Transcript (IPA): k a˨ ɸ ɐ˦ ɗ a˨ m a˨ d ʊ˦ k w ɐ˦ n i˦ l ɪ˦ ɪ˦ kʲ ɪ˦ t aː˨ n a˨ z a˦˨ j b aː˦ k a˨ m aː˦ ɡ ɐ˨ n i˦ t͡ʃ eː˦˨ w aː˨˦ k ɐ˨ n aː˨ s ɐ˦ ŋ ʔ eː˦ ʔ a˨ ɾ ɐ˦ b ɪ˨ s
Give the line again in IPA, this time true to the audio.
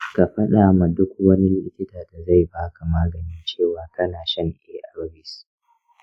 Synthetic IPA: k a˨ ɸ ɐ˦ ɗ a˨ m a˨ d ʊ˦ k w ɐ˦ n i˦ l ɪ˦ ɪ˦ kʲ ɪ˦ t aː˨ d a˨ z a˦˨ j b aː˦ k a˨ m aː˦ ɡ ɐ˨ n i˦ t͡ʃ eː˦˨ w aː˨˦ k ɐ˦ n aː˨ ʃ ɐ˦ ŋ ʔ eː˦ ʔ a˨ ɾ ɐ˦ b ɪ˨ s